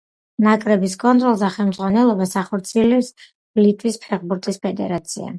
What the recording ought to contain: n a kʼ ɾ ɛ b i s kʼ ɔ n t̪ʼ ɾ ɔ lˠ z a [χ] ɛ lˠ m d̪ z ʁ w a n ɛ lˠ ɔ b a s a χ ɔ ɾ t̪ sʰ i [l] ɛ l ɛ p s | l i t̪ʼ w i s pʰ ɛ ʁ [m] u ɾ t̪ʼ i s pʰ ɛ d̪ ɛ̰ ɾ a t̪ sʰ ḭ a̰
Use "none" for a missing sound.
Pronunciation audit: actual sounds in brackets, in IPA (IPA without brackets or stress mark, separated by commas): χ, none, b